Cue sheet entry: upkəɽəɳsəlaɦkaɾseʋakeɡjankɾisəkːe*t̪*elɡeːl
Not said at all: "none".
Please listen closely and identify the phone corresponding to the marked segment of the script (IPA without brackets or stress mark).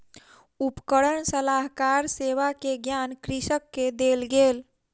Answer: d̪